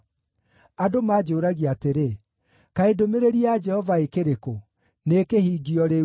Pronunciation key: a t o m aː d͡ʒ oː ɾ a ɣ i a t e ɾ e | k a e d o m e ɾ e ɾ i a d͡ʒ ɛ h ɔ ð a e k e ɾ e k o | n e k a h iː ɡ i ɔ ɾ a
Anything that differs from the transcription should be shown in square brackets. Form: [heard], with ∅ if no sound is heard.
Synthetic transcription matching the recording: a [d] o m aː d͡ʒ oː ɾ a ɣ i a t e ɾ e | k a e d o m e ɾ e ɾ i a d͡ʒ ɛ h ɔ [v] a e k e ɾ e k o | n e k [e] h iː ɡ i ɔ ɾ [e]